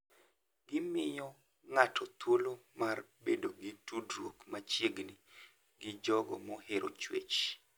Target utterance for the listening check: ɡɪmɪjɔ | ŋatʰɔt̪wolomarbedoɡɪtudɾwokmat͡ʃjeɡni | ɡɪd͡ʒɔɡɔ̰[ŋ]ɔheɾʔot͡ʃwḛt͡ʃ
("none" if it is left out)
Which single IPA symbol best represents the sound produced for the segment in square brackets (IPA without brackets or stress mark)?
m